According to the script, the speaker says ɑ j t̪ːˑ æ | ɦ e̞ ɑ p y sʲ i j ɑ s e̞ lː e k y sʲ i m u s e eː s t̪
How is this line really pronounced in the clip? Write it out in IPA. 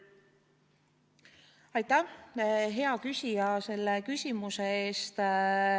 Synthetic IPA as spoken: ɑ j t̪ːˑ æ | ɦ e̞ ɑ k y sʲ i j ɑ s e̞ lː e k y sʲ i m u s e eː s t̪